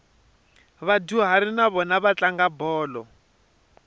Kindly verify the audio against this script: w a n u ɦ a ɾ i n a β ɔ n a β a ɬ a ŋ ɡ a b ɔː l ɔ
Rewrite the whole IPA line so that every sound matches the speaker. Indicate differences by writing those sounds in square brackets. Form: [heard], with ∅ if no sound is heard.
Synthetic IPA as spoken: [β] a [d] u ɦ a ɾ i n a β ɔ n a β a [t͡ɬ] a ŋ ɡ a b ɔː l ɔ